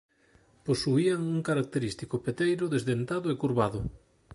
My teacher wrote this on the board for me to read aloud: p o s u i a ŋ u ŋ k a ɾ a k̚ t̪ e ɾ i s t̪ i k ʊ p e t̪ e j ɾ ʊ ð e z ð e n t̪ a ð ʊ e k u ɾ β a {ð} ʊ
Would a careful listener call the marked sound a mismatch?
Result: no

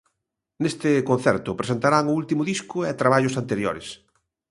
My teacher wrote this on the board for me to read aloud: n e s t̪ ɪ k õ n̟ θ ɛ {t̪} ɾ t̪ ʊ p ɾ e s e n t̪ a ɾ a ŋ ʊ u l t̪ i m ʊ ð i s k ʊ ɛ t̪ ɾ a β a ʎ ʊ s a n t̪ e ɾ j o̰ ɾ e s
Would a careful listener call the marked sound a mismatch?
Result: yes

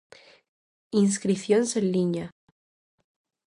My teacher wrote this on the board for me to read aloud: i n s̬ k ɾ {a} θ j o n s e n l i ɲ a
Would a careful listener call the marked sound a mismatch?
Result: yes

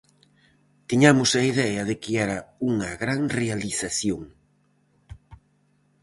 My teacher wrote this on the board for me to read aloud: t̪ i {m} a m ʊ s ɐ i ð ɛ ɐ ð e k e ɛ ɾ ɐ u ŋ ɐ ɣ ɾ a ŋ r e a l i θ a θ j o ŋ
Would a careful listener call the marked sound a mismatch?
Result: yes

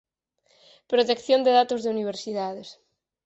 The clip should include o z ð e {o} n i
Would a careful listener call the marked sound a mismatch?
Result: yes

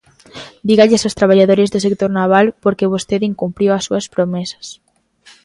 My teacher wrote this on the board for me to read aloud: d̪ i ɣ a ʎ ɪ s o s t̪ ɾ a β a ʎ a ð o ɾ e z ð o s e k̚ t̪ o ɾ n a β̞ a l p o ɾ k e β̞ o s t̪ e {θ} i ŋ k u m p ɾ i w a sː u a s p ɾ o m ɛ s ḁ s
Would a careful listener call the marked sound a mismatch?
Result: yes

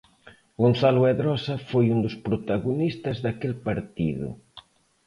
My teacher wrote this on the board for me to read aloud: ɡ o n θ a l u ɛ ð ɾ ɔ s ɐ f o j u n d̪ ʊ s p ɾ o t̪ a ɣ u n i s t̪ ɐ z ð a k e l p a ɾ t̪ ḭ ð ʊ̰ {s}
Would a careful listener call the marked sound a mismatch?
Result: yes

